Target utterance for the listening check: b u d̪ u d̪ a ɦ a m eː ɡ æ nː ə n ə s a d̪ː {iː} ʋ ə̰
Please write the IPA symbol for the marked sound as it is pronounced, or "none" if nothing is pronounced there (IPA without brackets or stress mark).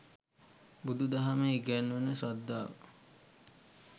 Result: aː